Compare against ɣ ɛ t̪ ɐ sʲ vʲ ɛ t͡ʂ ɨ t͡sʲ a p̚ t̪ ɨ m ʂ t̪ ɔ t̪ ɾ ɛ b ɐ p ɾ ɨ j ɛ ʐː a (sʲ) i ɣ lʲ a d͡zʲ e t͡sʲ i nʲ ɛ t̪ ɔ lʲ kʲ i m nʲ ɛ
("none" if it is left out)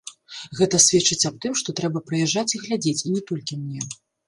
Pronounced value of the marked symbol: t͡sʲ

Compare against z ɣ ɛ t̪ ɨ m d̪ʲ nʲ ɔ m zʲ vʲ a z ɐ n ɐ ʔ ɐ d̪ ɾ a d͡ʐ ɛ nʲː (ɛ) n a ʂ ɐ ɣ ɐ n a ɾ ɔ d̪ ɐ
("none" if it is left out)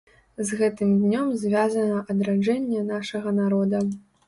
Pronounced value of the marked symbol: ɛ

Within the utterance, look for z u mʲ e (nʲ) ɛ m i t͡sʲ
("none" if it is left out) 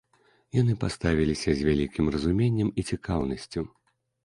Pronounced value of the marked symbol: nʲː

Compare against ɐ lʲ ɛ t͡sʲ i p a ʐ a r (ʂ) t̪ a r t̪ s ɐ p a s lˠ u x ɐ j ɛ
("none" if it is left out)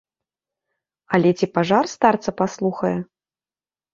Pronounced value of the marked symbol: s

